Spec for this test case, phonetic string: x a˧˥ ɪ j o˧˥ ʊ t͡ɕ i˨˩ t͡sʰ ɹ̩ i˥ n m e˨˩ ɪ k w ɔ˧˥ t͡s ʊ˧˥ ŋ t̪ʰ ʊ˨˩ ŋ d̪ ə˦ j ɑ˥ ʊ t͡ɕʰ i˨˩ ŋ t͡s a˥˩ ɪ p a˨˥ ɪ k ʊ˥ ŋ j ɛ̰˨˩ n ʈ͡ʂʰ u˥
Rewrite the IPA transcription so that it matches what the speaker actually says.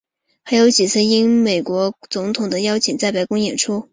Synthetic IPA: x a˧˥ ɪ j o˧˥ ʊ t͡ɕ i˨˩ t͡sʰ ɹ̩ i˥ n m e˨˩ ɪ k w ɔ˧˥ t͡s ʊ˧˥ ŋ t̪ʰ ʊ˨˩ ŋ d̪ ə˦ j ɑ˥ ʊ t͡ɕʰ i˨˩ ŋ t͡s a˥˩ ɪ p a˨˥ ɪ k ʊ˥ ŋ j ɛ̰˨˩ n ʈ͡ʂʰ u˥